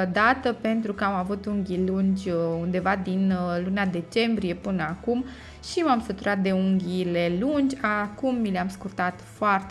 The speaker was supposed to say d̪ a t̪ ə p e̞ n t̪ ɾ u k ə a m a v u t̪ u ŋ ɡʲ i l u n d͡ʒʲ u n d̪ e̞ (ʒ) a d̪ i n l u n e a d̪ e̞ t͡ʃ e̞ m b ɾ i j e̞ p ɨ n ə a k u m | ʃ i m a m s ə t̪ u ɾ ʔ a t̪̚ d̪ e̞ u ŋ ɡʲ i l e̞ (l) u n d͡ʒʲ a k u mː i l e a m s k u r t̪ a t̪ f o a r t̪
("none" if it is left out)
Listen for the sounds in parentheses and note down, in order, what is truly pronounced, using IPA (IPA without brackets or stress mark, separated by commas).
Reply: v, l